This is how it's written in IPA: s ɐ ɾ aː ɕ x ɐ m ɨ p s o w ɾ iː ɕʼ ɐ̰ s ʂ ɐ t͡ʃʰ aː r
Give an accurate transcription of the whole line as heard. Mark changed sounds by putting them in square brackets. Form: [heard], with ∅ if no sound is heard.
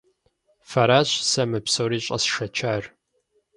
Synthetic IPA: [f] ɐ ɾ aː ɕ [s] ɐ m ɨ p s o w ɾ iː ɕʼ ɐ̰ s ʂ ɐ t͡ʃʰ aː r